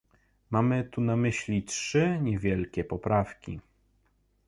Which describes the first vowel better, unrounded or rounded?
unrounded